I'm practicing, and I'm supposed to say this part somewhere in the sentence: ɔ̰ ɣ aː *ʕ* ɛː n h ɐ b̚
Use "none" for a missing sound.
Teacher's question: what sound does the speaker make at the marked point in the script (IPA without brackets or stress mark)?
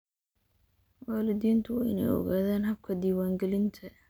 ð